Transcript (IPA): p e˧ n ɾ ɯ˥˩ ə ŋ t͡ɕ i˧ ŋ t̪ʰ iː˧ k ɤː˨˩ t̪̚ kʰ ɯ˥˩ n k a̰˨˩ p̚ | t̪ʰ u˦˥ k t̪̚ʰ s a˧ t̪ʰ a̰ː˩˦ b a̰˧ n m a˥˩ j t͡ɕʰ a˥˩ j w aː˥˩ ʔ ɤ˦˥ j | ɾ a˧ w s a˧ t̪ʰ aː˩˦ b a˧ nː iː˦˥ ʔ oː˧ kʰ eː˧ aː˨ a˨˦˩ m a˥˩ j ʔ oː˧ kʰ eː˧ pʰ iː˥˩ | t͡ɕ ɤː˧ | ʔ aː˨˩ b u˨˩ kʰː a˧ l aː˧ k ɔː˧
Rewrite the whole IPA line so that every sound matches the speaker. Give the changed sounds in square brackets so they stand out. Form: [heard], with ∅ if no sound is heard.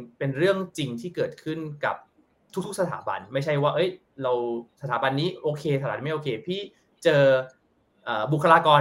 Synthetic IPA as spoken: p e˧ n ɾ ɯ˥˩ ə ŋ t͡ɕ i˧ ŋ t̪ʰ [iː˥˩] k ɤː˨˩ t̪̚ kʰ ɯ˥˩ n k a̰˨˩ p̚ | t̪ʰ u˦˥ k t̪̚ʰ s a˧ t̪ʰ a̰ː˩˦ b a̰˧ n m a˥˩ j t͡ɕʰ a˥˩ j w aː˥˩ ʔ ɤ˦˥ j | ɾ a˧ w s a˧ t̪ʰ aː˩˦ b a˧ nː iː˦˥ ʔ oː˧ kʰ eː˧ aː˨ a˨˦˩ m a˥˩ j ʔ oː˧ kʰ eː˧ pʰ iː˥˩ | t͡ɕ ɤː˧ | ʔ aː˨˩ b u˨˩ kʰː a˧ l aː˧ k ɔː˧